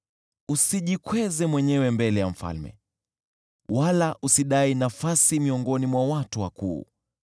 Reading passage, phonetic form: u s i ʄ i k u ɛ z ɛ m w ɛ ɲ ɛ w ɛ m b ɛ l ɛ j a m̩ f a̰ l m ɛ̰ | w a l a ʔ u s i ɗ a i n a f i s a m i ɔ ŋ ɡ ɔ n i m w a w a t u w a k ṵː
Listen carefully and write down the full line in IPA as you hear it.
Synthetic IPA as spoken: u s i ʄ i k w ɛ z ɛ m w ɛ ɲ ɛ w ɛ m b ɛ l ɛ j a m̩ f a̰ l m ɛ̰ | w a l a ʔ u s i ɗ a i n a f a s i m i ɔ ŋ ɡ ɔ n i m w a w a t u w a k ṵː